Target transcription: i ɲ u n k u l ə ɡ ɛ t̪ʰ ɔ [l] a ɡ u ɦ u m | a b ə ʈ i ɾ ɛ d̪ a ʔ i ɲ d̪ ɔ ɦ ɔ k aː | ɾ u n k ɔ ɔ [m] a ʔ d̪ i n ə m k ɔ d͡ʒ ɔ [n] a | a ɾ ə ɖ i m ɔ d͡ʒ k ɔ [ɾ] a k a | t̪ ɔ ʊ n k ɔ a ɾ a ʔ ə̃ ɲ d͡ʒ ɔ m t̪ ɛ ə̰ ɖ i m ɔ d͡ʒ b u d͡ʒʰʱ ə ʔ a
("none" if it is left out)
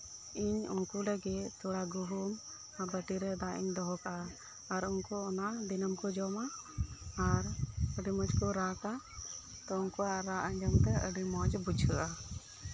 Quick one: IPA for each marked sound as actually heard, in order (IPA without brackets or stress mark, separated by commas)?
ɽ, n, m, ɾ